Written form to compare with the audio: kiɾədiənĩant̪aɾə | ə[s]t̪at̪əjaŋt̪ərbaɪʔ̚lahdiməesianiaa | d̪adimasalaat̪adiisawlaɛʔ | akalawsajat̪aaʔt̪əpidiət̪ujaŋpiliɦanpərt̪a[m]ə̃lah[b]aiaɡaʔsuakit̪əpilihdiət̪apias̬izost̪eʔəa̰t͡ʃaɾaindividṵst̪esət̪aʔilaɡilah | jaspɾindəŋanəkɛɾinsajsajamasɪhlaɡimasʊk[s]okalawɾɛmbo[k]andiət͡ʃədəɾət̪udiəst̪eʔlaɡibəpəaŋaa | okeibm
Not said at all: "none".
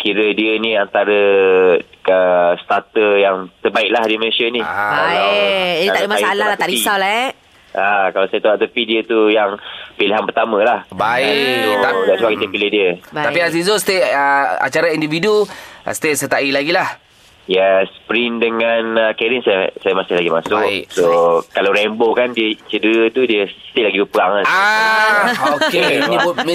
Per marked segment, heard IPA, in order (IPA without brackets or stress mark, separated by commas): s, m, b, s, k